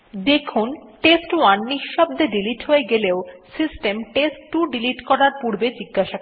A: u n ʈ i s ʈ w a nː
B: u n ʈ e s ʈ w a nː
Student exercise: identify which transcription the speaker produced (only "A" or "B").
B